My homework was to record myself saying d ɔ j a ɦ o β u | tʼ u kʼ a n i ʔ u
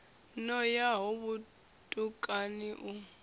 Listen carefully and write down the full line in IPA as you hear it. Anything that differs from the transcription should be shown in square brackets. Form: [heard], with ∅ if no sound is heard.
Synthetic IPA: [n] ɔ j a ɦ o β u | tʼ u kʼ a n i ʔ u